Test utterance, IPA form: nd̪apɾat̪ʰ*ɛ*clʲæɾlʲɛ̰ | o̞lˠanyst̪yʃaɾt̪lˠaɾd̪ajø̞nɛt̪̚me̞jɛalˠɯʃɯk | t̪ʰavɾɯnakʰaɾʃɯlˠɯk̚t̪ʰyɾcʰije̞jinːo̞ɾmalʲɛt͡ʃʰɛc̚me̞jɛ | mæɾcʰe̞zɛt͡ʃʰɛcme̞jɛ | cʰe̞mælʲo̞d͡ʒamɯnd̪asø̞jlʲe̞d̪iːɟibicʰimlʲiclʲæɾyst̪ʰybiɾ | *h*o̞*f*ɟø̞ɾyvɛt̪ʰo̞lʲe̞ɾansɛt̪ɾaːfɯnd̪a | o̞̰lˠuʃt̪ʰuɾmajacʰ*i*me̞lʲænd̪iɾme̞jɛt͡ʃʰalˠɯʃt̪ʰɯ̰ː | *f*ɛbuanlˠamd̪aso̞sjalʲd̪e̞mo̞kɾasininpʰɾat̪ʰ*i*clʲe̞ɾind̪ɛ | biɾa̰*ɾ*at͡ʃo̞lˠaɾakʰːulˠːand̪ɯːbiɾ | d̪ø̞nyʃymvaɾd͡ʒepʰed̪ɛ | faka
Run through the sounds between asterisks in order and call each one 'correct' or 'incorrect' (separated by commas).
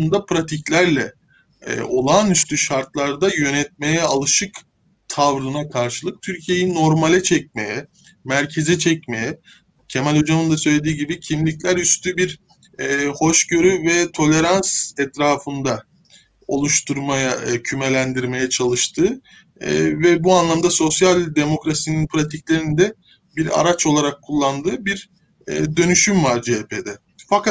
incorrect, correct, incorrect, incorrect, incorrect, correct, correct